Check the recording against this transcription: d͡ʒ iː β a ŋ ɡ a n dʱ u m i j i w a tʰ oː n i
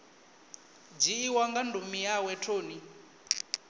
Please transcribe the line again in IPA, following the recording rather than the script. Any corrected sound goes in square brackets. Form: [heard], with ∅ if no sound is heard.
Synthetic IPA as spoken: d͡ʒ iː [w] a ŋ ɡ a n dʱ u m i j [a] w [ɛ] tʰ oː n i